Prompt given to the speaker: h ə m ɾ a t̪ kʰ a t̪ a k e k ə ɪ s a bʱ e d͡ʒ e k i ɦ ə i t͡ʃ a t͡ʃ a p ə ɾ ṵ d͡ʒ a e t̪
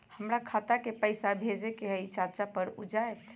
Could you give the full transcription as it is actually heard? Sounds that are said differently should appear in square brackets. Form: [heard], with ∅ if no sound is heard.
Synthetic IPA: h ə m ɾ a [∅] kʰ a t̪ a k e [p] ə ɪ s a bʱ e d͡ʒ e k [e] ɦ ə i t͡ʃ a t͡ʃ a p ə ɾ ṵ d͡ʒ a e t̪